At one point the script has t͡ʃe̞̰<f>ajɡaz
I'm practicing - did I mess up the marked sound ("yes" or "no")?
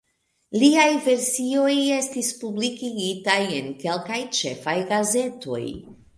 no